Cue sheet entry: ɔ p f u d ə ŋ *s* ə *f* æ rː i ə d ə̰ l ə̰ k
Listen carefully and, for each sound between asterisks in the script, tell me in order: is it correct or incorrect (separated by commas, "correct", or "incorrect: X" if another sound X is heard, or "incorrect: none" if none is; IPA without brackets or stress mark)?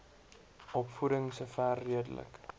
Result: correct, correct